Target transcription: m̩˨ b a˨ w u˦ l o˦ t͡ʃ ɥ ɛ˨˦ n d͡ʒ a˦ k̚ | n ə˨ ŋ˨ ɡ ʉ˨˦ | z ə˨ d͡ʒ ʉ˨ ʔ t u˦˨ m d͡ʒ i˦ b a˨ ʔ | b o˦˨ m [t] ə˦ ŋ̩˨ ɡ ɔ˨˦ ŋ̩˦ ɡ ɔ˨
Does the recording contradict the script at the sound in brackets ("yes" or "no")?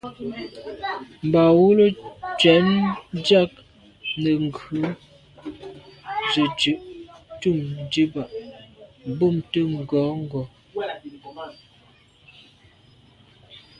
no